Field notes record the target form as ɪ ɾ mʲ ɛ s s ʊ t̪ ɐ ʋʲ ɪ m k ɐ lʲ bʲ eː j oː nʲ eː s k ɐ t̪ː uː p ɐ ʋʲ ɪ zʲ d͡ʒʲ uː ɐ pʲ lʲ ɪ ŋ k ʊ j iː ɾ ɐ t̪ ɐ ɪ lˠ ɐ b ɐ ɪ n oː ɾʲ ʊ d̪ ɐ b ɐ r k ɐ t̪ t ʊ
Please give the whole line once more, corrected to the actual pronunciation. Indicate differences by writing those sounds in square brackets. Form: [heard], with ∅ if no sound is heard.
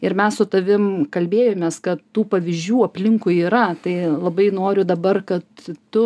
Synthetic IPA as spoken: ɪ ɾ mʲ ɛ s s ʊ t̪ ɐ ʋʲ ɪ m k ɐ lʲ bʲ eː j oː [mʲ] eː s k ɐ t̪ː uː p ɐ ʋʲ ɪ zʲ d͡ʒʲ uː ɐ pʲ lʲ ɪ ŋ k ʊ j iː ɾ ɐ t̪ ɐ ɪ lˠ ɐ b ɐ ɪ n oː ɾʲ ʊ d̪ ɐ b ɐ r k ɐ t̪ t ʊ